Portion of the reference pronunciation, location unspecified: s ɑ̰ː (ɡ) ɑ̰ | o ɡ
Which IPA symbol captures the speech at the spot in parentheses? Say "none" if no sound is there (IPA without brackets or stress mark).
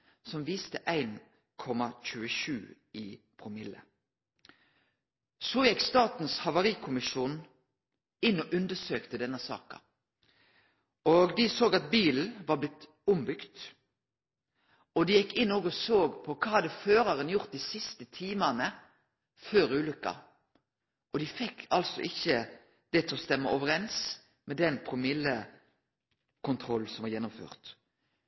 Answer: k